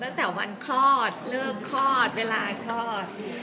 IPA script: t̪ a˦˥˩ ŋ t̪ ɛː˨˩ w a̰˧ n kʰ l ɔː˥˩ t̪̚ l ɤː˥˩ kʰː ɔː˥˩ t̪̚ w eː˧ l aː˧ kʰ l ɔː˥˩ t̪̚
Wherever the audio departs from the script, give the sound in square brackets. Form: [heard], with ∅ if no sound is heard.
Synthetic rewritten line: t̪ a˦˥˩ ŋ t̪ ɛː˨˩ w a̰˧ n kʰ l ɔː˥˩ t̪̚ l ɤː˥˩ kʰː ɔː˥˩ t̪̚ w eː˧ l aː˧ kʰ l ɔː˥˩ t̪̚